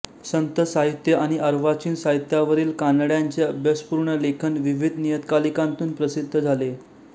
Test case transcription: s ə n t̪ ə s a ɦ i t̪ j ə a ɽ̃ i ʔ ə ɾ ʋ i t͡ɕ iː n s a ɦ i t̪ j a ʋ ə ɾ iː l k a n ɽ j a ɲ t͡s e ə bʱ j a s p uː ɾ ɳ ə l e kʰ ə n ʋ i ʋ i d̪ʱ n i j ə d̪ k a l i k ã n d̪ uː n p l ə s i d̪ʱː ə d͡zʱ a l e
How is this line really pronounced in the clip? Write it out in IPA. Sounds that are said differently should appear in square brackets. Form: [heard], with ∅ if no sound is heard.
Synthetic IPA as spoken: s ə n t̪ ə s a ɦ i t̪ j ə a ɽ̃ i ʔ ə ɾ ʋ [a] t͡ɕ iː n s a ɦ i t̪ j a ʋ ə ɾ iː l k a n ɽ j a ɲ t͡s e ə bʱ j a s p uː ɾ ɳ ə l e kʰ ə n ʋ i ʋ i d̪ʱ n i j ə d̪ k a l i k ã n [t̪] uː n p [ɾ] ə s i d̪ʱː ə d͡zʱ a l e